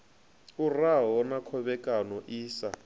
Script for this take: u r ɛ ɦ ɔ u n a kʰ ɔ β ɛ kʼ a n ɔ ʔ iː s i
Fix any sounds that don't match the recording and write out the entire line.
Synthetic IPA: u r a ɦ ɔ ɔ n a kʰ ɔ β ɛ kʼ a n ɔ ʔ iː s a